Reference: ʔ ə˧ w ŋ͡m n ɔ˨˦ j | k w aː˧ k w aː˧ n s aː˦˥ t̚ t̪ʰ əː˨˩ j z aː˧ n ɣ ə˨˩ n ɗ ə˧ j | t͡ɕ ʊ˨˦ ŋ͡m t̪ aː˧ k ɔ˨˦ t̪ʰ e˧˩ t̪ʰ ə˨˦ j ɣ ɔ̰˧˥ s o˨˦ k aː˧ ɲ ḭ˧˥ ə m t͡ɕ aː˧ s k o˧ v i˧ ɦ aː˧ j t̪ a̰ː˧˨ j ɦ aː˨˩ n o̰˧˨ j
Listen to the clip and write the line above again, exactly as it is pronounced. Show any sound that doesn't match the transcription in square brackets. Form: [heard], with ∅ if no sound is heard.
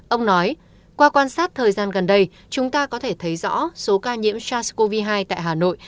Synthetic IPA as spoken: ʔ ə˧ w ŋ͡m n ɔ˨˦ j | k w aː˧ k w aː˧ n s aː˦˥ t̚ t̪ʰ əː˨˩ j z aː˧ n ɣ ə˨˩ n ɗ ə˧ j | t͡ɕ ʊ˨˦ ŋ͡m t̪ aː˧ k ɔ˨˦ t̪ʰ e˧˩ t̪ʰ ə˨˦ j [z] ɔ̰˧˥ s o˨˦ k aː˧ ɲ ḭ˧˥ ə m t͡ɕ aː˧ s k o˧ v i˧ ɦ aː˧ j t̪ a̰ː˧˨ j ɦ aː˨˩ n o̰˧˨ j